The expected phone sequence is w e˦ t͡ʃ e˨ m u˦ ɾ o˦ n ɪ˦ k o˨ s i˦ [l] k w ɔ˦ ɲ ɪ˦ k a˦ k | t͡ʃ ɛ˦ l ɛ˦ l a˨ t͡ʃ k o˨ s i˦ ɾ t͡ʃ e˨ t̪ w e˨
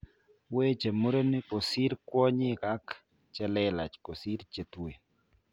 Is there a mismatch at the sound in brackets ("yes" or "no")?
yes